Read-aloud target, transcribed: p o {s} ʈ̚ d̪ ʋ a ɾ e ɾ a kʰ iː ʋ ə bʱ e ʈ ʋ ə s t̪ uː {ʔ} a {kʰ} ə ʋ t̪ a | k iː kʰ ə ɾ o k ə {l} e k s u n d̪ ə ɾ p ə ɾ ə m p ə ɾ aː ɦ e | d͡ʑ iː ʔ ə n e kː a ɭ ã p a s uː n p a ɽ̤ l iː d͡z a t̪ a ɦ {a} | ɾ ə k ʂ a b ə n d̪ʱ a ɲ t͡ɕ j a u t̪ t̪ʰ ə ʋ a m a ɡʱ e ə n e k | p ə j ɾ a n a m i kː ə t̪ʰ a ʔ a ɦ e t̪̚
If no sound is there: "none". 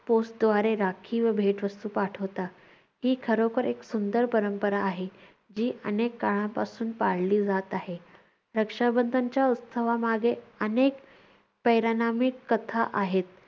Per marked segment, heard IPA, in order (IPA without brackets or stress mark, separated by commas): s, p, ʈʰ, ɾ, e